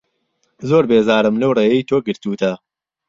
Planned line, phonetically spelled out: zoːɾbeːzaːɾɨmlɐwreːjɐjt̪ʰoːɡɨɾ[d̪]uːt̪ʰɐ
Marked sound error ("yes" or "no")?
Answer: yes